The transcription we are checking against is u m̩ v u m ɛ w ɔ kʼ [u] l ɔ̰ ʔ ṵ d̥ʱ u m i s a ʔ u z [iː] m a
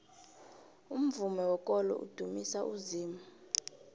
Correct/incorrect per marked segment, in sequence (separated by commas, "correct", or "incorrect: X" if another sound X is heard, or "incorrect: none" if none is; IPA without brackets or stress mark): incorrect: ɔ, correct